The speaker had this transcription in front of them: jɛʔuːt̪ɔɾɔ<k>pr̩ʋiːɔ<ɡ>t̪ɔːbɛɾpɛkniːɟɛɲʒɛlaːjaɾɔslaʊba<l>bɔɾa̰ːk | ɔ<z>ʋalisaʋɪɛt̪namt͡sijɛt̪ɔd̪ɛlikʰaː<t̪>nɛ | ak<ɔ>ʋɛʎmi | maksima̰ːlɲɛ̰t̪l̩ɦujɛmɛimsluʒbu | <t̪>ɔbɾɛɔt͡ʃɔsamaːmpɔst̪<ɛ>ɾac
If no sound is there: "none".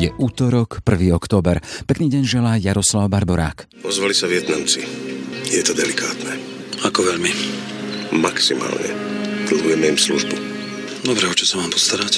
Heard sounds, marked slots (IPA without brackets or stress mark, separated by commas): k, k, ɾ, z, t̪, ɔ, d̪, a